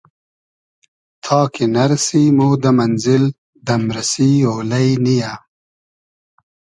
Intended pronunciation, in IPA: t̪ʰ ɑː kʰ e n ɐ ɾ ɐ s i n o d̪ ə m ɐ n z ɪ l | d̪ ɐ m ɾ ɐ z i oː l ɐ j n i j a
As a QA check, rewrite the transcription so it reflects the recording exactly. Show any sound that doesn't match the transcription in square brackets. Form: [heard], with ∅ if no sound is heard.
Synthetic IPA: t̪ʰ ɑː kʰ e n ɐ ɾ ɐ s i [m] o d̪ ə m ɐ n z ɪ l | d̪ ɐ m ɾ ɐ [s] i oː l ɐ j n i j a